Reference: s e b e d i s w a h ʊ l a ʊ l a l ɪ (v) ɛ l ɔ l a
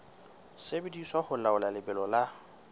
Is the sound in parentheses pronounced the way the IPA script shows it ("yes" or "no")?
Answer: no